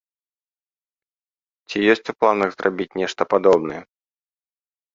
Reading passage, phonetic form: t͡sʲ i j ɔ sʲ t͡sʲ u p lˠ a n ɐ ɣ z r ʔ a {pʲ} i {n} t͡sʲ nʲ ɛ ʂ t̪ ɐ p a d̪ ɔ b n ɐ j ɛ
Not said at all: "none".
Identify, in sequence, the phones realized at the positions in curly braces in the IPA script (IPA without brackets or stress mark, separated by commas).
bʲ, none